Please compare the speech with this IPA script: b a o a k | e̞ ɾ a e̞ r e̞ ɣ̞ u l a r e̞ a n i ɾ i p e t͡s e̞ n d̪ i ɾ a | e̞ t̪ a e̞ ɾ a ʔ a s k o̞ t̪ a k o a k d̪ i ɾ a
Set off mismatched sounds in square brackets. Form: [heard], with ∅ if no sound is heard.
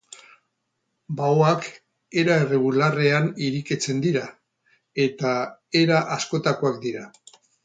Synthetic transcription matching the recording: b a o a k | e̞ ɾ a e̞ r e̞ ɣ̞ u l a r e̞ a n i ɾ i [k] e t͡s e̞ n d̪ i ɾ a | e̞ t̪ a e̞ ɾ a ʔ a s k o̞ t̪ a k o a k d̪ i ɾ a